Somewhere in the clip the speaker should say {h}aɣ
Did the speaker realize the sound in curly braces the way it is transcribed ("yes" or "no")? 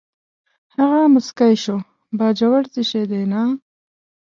yes